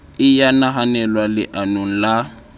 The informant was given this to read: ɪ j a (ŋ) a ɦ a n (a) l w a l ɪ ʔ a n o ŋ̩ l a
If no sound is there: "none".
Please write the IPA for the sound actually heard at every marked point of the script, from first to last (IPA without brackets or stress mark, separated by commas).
n, ɛ